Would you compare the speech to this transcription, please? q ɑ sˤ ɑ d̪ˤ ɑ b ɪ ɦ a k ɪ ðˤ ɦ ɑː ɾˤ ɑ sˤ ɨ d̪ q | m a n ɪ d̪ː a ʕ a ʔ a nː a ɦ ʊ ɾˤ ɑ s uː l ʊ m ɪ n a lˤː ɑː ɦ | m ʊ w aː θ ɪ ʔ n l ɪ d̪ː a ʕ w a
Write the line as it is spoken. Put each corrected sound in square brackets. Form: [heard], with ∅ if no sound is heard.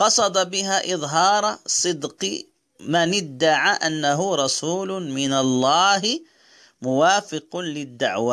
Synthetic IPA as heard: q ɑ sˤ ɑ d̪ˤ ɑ b ɪ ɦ a [ʔ] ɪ ðˤ ɦ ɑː ɾˤ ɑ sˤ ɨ d̪ q | m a n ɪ d̪ː a ʕ a ʔ a nː a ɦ ʊ ɾˤ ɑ s uː l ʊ m ɪ n a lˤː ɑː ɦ | m ʊ w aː [f] ɪ [q] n l ɪ d̪ː a ʕ w a

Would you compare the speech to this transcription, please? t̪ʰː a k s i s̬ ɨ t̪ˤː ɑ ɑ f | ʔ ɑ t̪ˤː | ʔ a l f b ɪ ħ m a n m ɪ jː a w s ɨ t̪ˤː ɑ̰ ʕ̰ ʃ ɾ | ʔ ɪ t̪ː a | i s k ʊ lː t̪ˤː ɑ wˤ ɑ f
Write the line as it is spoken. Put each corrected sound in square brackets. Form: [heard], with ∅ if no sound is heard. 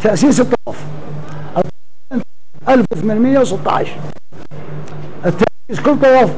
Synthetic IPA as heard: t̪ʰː a [ʔ] s [iː] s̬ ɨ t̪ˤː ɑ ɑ f | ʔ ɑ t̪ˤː | ʔ a l f [w] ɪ [θ] m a n m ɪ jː a w s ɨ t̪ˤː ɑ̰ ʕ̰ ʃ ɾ | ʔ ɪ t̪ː a | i s k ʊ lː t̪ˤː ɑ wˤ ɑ f

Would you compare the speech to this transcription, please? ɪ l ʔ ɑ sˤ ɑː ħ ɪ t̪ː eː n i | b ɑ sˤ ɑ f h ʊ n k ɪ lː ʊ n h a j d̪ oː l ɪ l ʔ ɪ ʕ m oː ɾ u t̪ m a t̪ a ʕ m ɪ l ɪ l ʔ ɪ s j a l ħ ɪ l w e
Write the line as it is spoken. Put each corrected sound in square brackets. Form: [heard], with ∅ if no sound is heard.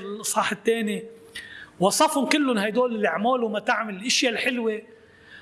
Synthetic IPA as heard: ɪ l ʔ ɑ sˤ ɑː ħ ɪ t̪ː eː n i | [w] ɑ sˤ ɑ f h ʊ n k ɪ lː ʊ n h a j d̪ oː l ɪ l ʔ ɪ ʕ m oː [l] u [∅] m a t̪ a ʕ m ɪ l ɪ l ʔ ɪ [ʃ] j a l ħ ɪ l w e

